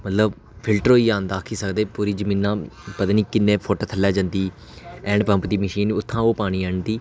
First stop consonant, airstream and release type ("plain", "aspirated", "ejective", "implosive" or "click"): plain